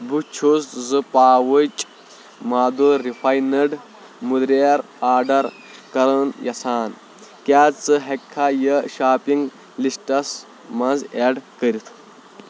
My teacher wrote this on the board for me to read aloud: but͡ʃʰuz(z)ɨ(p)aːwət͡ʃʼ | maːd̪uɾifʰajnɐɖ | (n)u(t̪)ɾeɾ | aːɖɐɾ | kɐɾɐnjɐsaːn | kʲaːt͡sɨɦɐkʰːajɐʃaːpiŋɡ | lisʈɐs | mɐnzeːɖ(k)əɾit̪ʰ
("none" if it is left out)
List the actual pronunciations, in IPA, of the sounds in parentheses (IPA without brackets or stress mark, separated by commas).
z, p, m, d̪, k